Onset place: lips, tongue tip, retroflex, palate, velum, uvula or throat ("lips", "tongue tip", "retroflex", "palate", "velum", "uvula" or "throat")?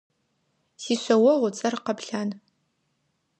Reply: tongue tip